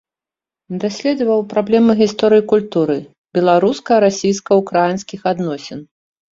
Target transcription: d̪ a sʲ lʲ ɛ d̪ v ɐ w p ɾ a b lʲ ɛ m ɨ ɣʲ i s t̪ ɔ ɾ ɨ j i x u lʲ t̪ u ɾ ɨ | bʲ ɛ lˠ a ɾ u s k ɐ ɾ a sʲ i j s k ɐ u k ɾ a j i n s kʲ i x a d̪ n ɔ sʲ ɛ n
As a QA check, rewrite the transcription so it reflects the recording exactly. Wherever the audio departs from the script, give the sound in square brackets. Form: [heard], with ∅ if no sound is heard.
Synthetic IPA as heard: d̪ a sʲ lʲ ɛ d̪ v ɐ w p ɾ a b lʲ ɛ m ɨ ɣʲ i s t̪ ɔ ɾ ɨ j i [k] u lʲ t̪ u ɾ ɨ | bʲ ɛ lˠ a ɾ u s k ɐ ɾ a sʲ i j s k ɐ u k ɾ a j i n s kʲ i x a d̪ n ɔ sʲ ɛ n